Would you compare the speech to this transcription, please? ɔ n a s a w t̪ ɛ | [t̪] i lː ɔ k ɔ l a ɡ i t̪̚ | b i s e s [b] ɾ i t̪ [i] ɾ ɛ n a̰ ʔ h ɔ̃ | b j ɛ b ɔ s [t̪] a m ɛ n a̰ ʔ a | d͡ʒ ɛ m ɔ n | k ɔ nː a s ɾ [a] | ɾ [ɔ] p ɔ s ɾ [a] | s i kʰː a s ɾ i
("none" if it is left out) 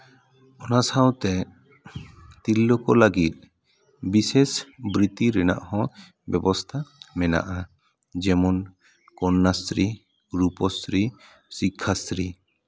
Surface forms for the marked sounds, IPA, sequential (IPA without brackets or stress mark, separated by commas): t̪, b, i, t̪ʰ, i, u, i